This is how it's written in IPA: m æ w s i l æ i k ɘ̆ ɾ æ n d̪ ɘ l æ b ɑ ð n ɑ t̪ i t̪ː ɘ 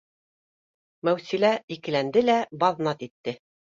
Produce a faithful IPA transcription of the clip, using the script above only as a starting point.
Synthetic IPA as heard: m æ w s i l æ i k ɘ̆ l æ n d̪ ɘ l æ b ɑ ð n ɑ t̪ i t̪ː ɘ